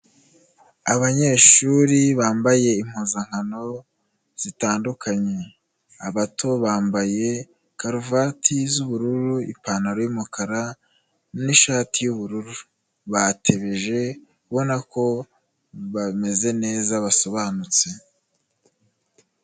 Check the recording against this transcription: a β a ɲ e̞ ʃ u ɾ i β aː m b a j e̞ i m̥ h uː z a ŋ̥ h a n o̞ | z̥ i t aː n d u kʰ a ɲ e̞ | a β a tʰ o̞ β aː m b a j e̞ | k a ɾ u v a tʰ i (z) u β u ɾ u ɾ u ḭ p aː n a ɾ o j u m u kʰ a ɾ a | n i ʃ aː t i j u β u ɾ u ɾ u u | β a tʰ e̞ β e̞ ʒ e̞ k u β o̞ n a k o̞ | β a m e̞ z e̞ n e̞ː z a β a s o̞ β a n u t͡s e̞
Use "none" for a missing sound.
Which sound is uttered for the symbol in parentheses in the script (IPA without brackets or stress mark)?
z